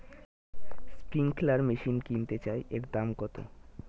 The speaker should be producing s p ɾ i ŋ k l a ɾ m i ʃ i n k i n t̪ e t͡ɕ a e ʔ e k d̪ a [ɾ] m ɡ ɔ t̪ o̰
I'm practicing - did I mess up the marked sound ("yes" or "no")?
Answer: yes